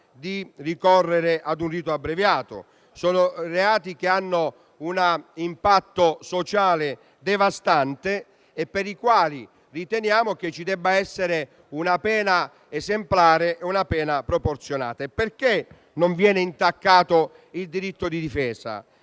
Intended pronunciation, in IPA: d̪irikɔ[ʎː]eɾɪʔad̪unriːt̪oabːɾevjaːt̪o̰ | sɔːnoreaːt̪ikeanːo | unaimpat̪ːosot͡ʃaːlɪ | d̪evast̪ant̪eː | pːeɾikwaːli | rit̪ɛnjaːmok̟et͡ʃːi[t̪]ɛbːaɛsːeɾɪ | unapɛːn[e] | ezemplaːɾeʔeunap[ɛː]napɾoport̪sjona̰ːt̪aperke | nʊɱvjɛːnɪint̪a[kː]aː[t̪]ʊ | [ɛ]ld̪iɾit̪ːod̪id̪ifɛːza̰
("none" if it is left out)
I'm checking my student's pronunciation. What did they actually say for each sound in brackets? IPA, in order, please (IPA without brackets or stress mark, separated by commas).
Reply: rː, d̪, a, ɛː, kː, t̪, i